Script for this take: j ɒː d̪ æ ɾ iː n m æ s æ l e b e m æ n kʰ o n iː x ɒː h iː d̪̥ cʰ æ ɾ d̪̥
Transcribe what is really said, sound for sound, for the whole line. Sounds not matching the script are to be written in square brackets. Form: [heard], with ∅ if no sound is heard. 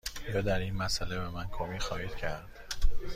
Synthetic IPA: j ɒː d̪ æ ɾ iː n m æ s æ l e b e m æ n kʰ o [m] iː x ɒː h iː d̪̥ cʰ æ ɾ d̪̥